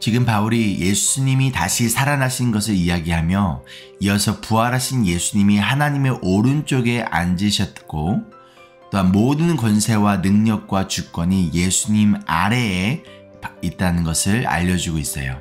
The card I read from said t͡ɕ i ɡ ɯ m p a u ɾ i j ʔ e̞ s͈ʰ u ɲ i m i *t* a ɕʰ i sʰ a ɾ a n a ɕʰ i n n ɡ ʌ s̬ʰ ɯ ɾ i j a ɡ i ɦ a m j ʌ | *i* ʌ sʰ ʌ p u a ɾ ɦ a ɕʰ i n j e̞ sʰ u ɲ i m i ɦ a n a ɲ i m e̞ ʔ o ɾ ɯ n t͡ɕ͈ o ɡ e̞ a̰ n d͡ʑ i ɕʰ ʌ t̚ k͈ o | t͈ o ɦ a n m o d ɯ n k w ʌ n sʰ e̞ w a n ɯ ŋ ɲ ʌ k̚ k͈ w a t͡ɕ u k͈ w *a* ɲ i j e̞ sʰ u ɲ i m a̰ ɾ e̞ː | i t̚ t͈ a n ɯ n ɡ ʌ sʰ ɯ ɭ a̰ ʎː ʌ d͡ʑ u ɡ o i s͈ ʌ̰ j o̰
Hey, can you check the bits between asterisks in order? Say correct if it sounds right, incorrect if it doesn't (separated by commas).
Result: correct, correct, incorrect